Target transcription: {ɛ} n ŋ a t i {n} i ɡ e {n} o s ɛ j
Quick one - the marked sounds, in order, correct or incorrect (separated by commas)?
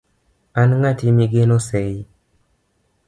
incorrect, incorrect, correct